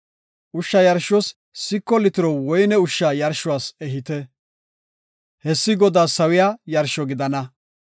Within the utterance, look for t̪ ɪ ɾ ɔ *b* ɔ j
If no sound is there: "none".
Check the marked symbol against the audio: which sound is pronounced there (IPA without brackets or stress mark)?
w